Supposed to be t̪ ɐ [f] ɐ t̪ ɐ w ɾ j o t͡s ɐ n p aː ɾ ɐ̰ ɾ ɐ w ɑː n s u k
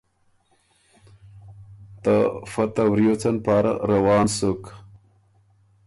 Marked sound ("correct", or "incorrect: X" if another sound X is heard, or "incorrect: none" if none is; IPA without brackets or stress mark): correct